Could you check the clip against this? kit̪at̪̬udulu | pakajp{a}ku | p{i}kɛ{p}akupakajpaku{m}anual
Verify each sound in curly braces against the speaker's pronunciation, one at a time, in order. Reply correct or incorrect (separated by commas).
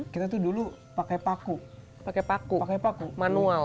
correct, incorrect, correct, correct